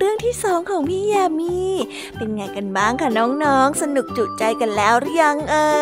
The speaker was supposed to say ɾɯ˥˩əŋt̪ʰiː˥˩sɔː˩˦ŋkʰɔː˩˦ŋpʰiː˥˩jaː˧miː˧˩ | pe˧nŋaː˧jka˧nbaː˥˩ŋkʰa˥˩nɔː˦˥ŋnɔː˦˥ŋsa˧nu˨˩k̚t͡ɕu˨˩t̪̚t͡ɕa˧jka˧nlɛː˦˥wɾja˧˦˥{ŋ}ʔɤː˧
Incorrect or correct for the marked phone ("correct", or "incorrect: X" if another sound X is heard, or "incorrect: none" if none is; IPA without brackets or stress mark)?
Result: correct